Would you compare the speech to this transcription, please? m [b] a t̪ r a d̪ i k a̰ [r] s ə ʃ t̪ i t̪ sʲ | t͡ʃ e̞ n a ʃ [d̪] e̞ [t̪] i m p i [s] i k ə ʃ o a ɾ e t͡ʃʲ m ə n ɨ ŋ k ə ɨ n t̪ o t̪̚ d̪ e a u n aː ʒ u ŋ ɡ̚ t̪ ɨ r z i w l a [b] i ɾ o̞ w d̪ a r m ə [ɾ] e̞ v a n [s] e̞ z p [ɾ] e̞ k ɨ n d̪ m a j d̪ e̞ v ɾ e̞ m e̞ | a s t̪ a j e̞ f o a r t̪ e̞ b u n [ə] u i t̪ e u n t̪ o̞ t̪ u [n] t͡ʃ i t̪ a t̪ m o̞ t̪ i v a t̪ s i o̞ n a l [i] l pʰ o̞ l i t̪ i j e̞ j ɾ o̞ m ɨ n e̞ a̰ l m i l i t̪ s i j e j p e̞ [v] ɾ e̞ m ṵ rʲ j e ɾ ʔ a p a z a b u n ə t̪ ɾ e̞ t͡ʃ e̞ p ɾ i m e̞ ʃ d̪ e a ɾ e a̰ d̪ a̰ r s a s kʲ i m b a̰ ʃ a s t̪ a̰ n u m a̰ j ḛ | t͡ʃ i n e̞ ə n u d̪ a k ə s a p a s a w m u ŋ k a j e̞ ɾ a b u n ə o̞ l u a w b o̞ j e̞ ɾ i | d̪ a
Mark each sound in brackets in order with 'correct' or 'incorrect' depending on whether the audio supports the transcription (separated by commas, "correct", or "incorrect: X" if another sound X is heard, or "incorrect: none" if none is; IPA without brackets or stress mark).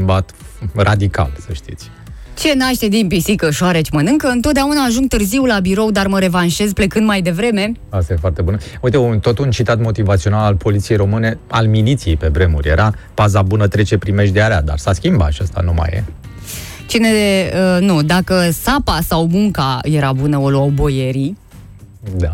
correct, incorrect: l, incorrect: t̪, incorrect: d̪, correct, correct, correct, incorrect: ʃ, incorrect: l, correct, correct, incorrect: a, incorrect: b